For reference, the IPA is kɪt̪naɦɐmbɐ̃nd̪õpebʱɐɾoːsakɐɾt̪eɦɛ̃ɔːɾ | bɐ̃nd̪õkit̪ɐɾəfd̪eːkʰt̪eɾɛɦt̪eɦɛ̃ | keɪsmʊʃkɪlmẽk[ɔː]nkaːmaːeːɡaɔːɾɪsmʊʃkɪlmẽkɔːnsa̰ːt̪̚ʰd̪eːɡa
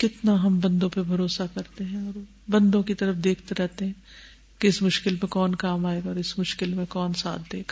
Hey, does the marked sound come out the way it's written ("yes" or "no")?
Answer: yes